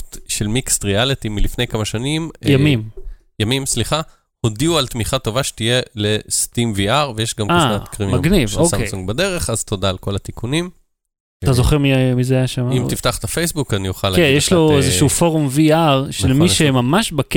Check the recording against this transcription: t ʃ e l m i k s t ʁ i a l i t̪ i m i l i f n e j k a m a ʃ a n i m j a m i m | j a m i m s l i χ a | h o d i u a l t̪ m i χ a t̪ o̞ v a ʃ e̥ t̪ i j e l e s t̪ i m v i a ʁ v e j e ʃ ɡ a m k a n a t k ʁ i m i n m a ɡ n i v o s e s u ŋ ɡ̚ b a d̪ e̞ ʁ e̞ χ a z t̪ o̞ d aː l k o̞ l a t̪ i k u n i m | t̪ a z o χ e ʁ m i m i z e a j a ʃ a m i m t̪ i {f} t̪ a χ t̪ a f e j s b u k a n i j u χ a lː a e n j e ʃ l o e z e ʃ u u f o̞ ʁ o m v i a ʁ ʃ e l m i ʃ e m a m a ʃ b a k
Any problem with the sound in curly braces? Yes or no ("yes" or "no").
no